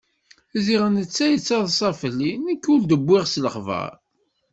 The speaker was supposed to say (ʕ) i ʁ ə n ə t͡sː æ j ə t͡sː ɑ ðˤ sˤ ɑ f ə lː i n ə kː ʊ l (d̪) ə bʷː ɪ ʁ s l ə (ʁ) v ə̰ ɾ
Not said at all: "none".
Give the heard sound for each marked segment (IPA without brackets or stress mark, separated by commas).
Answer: z, d̪, χ